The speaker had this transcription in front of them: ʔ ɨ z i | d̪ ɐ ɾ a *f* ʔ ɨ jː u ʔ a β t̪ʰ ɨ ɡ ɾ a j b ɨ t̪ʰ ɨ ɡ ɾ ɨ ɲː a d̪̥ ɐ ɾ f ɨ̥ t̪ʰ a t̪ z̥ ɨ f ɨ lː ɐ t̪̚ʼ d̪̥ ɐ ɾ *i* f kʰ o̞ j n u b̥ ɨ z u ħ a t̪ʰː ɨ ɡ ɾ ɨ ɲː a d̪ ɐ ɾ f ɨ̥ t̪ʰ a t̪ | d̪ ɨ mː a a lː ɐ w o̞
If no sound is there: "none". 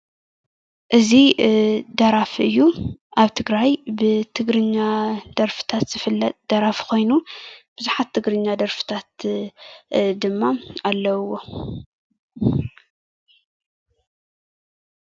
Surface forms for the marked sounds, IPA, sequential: f, a

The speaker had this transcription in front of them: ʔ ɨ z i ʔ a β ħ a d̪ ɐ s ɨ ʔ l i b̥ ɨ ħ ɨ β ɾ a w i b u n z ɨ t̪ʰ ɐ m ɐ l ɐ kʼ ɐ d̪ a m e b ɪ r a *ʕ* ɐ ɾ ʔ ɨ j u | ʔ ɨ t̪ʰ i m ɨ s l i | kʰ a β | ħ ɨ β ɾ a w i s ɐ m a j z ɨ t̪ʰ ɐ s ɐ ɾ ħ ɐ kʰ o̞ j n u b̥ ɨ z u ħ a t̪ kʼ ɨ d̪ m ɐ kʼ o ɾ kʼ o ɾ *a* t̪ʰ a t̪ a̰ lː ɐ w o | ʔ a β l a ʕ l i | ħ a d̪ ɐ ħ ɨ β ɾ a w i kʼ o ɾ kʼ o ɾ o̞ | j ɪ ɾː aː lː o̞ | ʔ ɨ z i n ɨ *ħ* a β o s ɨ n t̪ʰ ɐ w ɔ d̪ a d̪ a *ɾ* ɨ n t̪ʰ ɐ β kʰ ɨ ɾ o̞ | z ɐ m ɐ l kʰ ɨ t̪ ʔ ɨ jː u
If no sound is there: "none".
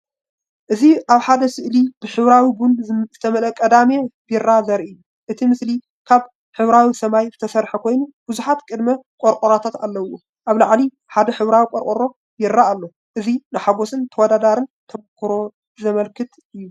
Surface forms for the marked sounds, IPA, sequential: z, a, ħ, ɾ

